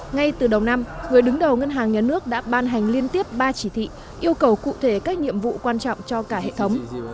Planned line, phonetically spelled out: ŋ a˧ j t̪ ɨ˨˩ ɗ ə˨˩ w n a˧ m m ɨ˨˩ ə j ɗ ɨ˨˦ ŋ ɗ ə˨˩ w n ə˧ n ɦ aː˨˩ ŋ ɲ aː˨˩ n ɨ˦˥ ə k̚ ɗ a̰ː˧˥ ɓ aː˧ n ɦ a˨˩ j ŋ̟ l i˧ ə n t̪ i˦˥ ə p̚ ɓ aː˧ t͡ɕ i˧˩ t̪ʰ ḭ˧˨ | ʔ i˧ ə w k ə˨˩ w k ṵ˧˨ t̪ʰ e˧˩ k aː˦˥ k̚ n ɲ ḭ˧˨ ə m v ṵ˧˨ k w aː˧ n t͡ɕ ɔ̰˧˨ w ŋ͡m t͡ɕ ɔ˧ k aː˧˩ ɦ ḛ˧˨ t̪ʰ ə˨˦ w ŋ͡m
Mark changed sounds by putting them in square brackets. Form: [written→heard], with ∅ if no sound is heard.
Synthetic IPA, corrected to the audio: ŋ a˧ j t̪ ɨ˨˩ ɗ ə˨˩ w n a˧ m [m→ŋ] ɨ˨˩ ə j ɗ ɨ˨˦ ŋ ɗ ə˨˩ w [n→ŋ] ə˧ n ɦ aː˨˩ ŋ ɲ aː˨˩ n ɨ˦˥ ə k̚ ɗ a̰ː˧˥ ɓ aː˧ n ɦ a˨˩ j ŋ̟ l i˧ ə n t̪ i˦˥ ə p̚ ɓ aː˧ t͡ɕ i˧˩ t̪ʰ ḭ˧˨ | ʔ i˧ ə w k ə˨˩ w k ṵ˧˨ t̪ʰ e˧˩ k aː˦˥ k̚ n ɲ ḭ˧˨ ə m v ṵ˧˨ k w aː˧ n t͡ɕ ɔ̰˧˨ w ŋ͡m t͡ɕ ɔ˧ k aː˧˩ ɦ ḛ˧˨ t̪ʰ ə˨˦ w ŋ͡m